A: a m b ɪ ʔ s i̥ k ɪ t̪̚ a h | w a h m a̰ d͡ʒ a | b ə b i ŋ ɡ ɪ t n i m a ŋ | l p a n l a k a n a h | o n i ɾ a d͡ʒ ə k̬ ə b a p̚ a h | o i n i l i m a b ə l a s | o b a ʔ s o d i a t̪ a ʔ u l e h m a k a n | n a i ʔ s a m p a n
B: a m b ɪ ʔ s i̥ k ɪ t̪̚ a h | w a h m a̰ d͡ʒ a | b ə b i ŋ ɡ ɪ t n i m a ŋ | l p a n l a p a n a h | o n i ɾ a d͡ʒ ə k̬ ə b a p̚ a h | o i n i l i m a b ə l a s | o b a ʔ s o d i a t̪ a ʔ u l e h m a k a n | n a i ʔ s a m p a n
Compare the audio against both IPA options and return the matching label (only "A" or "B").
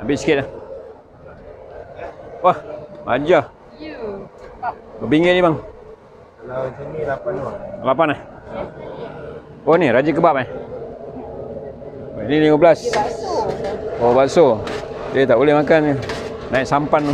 B